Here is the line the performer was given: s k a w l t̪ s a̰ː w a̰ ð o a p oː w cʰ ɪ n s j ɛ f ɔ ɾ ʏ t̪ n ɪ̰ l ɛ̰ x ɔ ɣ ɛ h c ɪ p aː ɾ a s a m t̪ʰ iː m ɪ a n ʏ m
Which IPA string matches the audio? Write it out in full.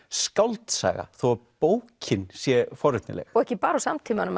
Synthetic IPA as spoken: s k a w l t̪ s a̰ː ɣ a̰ θ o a p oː w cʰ ɪ n s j ɛ f ɔ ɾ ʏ t̪ n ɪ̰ l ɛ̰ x ɔ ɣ ɛ h c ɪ p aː ɾ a s a m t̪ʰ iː m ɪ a n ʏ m